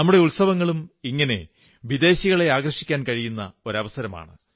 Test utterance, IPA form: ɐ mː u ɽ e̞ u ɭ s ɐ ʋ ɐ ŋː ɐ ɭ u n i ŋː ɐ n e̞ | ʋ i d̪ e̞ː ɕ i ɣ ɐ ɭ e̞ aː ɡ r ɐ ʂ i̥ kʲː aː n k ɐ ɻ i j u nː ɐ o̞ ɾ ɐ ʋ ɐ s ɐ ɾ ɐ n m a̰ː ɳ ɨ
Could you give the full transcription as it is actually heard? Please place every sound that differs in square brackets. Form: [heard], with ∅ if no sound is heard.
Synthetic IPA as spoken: ɐ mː u ɽ e̞ u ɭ s ɐ ʋ ɐ ŋː ɐ ɭ u [m] i ŋː ɐ n e̞ | ʋ i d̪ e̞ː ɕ i ɣ ɐ ɭ e̞ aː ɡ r ɐ ʂ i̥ kʲː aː n k ɐ ɻ i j u nː ɐ o̞ ɾ ɐ ʋ ɐ s ɐ ɾ ɐ [∅] m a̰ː ɳ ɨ